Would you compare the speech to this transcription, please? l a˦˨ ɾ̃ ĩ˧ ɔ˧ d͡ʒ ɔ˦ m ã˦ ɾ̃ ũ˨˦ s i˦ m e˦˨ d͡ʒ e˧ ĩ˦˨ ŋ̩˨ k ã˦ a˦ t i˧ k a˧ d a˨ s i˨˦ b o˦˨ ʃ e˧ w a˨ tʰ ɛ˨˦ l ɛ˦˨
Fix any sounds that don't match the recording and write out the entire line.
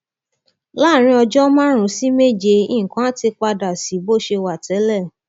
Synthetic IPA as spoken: l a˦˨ ɾ̃ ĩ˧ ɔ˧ d͡ʒ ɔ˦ m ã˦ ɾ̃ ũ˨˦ s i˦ m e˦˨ d͡ʒ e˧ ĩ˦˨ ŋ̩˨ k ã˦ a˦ t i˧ k͡p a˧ d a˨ s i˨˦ b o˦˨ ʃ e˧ w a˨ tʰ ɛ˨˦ l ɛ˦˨